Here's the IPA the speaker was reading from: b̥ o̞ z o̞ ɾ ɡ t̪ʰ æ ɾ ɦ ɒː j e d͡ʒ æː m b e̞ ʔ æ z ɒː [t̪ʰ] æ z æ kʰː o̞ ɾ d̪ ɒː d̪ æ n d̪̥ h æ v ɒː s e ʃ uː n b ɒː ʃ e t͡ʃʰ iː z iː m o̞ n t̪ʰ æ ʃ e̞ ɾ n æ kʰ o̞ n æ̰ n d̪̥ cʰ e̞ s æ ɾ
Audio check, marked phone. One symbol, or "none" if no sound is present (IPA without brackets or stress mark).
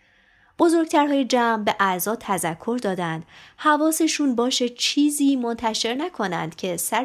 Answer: t̪ʰ